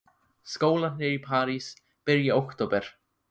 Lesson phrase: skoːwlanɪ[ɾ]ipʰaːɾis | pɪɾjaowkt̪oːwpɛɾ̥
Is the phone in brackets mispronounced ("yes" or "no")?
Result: no